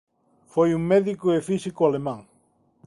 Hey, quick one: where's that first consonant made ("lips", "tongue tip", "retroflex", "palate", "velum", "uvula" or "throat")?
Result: lips